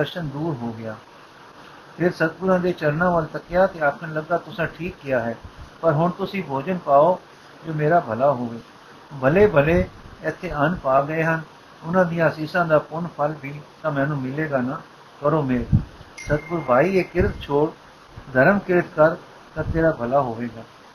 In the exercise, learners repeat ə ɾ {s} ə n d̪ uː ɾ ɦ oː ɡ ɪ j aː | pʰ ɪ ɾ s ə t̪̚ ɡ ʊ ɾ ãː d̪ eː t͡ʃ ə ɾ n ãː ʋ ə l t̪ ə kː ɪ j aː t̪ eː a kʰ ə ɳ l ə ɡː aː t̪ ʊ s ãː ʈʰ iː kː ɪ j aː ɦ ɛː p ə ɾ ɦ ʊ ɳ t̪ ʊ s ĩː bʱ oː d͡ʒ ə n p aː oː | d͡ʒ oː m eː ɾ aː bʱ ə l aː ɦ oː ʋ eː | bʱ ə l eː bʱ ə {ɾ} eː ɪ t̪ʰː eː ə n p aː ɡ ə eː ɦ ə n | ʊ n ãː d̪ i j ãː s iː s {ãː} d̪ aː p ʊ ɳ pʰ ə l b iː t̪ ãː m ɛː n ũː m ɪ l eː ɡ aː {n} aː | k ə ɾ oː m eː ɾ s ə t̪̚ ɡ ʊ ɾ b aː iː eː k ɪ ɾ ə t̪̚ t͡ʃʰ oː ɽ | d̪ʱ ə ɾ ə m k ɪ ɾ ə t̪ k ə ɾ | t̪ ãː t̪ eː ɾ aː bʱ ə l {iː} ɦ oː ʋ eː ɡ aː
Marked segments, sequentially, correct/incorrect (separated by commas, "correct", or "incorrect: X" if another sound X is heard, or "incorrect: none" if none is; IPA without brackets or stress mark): incorrect: ʃ, incorrect: l, correct, correct, incorrect: aː